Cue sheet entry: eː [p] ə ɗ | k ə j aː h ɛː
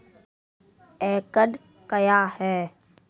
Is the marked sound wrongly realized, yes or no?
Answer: yes